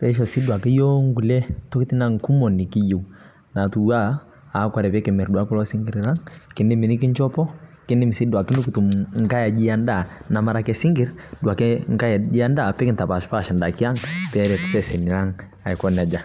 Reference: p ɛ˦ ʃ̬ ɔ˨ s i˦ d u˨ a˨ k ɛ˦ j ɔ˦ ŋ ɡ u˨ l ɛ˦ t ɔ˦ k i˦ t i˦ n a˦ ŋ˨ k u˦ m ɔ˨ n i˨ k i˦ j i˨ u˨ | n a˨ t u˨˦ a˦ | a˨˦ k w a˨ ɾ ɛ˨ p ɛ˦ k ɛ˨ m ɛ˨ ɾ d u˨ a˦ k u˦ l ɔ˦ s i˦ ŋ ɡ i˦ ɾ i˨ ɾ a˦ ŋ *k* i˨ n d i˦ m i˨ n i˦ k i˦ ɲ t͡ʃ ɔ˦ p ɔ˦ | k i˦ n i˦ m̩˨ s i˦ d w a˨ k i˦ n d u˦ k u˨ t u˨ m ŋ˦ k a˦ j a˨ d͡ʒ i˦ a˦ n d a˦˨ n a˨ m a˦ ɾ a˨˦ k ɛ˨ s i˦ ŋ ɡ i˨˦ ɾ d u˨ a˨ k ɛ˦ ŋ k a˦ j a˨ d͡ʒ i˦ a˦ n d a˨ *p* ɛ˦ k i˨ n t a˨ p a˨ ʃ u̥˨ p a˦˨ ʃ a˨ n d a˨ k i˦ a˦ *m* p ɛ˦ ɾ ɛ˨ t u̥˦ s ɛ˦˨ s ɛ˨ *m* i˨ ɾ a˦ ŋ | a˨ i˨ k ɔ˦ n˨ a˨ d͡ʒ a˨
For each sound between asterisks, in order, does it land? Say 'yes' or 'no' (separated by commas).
yes, yes, no, no